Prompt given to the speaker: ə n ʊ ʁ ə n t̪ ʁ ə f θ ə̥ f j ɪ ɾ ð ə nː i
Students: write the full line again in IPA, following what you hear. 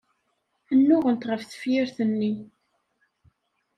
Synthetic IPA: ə nː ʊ ʁ ə n t̪ ʁ ə f θ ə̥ f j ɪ ɾ θ ə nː i